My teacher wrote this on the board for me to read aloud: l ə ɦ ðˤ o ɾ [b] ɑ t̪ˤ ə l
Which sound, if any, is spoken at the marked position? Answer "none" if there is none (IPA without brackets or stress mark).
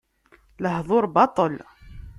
b